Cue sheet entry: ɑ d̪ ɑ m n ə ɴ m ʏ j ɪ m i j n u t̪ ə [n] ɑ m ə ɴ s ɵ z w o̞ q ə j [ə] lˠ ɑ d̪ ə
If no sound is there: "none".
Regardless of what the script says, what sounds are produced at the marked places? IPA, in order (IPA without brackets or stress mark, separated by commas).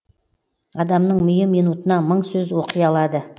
n, ɑ